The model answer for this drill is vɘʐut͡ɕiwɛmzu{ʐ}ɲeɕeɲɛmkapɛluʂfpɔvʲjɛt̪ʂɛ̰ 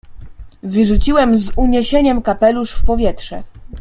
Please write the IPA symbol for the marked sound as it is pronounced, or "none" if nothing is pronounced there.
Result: none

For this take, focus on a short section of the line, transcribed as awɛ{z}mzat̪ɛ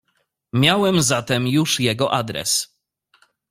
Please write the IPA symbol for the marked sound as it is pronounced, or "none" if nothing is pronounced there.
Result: none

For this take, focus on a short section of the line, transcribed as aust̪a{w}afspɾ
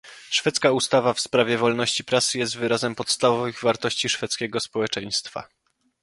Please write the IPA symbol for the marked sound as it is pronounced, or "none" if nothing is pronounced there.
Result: v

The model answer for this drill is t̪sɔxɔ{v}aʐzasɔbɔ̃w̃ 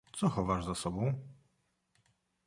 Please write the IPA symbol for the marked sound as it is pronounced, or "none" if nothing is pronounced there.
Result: v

